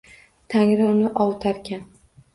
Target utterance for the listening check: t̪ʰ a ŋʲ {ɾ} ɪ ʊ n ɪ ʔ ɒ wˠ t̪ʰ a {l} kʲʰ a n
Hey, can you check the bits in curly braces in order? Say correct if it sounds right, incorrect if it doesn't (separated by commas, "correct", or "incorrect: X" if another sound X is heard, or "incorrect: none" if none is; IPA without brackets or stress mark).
correct, incorrect: ɾ